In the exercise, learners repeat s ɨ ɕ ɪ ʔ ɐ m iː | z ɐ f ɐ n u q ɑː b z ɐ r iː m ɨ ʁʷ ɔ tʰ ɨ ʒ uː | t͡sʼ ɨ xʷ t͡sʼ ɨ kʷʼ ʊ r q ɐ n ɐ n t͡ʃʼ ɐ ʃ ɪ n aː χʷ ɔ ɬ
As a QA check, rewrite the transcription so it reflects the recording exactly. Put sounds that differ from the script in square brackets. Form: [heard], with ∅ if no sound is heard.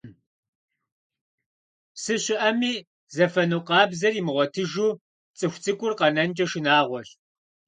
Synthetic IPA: s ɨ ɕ ɪ ʔ ɐ m iː | z ɐ f ɐ n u q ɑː b z ɐ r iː m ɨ ʁʷ ɔ tʰ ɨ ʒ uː | t͡sʼ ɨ xʷ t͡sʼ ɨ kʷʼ ʊ r q ɐ n ɐ n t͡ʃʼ ɐ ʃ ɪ n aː [ʁʷ] ɔ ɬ

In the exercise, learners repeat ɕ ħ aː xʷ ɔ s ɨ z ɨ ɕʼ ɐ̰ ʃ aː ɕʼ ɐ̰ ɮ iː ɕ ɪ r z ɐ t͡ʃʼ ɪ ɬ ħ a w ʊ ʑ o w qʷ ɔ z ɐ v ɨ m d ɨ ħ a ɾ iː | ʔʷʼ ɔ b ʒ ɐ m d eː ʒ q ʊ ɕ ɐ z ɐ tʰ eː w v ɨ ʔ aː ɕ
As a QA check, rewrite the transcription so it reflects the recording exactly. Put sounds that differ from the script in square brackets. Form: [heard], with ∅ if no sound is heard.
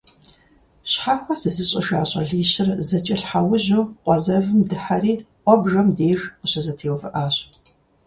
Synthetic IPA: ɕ ħ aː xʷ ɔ s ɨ z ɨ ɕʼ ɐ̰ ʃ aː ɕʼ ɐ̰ ɮ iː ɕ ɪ r z ɐ t͡ʃʼ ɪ ɬ ħ a w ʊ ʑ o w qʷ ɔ z ɐ v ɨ m d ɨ ħ a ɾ iː | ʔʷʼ ɔ b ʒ ɐ m d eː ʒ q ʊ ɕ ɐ z ɐ tʰ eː w v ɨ ʔ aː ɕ

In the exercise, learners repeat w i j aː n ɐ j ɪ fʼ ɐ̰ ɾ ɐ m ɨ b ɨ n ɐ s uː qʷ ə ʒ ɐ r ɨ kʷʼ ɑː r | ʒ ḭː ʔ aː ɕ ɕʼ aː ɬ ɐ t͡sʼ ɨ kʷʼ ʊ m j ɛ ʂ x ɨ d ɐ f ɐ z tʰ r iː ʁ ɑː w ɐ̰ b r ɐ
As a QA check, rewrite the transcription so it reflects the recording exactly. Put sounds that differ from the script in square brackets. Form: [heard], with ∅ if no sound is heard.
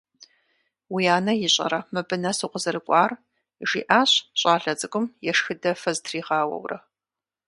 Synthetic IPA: w i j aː n ɐ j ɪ [ɕʼ] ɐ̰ ɾ ɐ m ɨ b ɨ n ɐ s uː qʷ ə [z] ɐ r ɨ kʷʼ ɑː r | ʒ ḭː ʔ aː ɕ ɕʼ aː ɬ ɐ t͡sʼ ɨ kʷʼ ʊ m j ɛ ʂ x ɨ d ɐ f ɐ z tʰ r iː ʁ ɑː w ɐ̰ [w] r ɐ

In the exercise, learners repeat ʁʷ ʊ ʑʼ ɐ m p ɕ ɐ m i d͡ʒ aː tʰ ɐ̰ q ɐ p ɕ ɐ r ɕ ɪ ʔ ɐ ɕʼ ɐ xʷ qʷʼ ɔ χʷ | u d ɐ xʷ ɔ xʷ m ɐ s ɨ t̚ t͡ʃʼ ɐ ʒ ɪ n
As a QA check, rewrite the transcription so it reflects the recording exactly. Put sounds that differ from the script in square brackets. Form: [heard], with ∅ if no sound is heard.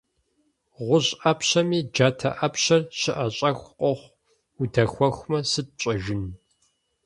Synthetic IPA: ʁʷ ʊ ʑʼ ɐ [∅] p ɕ ɐ m [iː] d͡ʒ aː tʰ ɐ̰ [ʔ] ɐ p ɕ ɐ r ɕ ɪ ʔ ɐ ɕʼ ɐ xʷ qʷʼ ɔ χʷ | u d ɐ xʷ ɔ xʷ m ɐ s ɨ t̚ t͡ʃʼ ɐ ʒ ɪ n

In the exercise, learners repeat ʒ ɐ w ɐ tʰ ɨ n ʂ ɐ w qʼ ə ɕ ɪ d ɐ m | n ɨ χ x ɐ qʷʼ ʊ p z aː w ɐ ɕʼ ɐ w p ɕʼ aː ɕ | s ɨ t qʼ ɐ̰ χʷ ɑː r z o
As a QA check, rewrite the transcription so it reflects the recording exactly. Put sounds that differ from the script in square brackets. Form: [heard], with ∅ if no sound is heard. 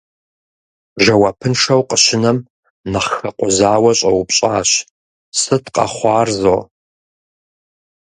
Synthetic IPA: ʒ ɐ w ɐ [pʰ] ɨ n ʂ ɐ w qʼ ə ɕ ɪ [n] ɐ m | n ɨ χ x ɐ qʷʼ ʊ [∅] z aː w ɐ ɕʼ ɐ w p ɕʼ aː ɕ | s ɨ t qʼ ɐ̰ χʷ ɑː r z o

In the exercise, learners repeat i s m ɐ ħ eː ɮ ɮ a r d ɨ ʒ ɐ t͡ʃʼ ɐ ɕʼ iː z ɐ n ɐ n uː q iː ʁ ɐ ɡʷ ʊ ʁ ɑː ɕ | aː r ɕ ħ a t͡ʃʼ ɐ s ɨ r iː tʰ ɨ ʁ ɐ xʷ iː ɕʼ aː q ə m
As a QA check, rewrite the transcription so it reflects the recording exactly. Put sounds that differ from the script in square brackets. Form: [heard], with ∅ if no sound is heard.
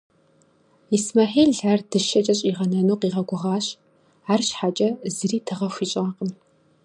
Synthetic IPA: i s m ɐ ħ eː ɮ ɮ a r d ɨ [ʃ] ɐ t͡ʃʼ ɐ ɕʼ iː [ʁ] ɐ n ɐ n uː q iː ʁ ɐ ɡʷ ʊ ʁ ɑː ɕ | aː r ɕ ħ a t͡ʃʼ ɐ [z] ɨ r iː tʰ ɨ ʁ ɐ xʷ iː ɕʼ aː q ə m

